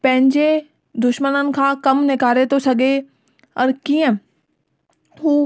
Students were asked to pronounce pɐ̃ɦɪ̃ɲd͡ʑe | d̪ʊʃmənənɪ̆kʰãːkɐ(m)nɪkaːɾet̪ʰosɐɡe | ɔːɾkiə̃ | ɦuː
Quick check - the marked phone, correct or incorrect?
correct